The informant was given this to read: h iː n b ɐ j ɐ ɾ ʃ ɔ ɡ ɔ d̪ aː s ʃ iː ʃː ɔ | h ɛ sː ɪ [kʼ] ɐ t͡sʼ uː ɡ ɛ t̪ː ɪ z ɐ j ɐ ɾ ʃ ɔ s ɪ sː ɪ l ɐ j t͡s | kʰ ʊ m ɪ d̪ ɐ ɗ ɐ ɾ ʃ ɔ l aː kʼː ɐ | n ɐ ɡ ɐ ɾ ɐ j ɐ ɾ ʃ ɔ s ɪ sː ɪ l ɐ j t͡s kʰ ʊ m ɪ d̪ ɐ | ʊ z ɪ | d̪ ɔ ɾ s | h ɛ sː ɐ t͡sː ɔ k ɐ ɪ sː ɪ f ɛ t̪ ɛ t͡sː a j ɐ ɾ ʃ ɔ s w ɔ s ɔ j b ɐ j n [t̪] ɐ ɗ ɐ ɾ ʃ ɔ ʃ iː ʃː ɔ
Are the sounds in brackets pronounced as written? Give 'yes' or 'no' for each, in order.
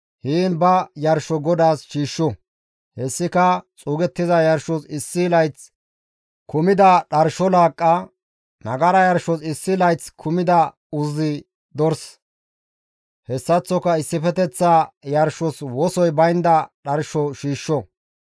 no, no

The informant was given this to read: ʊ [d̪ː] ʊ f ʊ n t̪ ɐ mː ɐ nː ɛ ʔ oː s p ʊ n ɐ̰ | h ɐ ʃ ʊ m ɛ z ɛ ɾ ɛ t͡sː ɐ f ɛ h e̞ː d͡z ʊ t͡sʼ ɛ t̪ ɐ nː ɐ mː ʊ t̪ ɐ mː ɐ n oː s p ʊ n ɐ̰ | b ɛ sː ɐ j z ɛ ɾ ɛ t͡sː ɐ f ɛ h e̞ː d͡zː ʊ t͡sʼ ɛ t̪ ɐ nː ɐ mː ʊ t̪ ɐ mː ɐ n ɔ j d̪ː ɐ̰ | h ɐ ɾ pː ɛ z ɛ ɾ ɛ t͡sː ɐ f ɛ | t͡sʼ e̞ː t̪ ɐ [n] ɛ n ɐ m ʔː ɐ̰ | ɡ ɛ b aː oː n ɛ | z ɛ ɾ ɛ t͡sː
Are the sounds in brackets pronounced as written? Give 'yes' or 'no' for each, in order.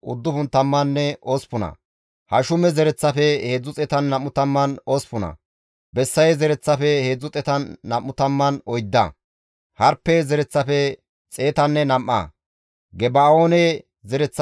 yes, no

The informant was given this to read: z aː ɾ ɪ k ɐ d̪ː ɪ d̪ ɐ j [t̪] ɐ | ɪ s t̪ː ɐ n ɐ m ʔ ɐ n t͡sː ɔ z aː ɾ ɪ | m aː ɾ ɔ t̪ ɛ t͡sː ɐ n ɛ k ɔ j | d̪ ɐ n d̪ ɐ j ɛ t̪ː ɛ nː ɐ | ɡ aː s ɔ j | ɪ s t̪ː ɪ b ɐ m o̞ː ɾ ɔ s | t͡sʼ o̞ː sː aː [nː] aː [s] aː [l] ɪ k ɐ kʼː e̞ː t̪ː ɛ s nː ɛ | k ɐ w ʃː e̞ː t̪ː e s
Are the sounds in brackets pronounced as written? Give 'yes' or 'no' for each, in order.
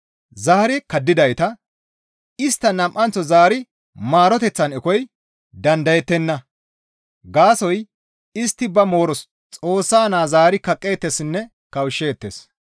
yes, no, no, no

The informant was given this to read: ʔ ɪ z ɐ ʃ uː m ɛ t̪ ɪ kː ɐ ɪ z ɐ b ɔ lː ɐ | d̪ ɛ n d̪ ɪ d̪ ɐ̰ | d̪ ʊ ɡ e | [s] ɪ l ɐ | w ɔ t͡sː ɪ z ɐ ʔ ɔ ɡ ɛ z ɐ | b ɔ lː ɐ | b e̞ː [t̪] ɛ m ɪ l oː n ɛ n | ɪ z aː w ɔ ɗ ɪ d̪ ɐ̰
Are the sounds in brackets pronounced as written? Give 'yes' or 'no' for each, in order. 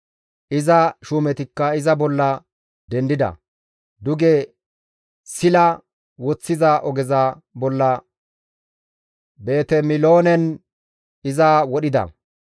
yes, yes

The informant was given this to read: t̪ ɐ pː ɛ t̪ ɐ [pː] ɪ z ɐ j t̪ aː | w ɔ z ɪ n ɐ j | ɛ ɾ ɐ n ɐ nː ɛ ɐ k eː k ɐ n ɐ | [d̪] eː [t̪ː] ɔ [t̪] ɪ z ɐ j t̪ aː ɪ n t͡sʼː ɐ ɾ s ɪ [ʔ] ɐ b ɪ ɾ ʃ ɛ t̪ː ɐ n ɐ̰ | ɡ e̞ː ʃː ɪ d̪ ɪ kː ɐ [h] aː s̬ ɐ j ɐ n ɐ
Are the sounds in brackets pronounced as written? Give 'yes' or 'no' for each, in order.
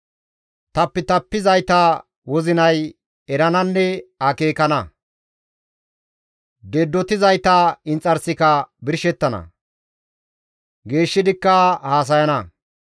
yes, yes, no, yes, no, yes

